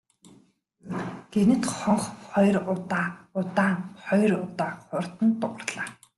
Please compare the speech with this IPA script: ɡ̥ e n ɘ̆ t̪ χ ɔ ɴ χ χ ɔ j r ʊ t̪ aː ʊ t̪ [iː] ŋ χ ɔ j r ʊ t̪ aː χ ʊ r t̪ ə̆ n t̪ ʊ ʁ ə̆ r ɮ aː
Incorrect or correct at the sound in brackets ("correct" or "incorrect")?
incorrect